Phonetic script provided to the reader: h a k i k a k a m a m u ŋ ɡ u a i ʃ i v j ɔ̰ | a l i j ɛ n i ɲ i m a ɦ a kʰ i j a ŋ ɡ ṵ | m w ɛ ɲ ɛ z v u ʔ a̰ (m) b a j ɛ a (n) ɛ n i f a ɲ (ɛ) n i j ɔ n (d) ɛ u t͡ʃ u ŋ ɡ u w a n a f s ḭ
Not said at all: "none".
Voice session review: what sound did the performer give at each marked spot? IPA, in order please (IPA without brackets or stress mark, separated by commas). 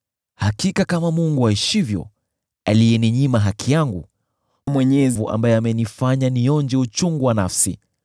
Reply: m, m, a, d͡ʒ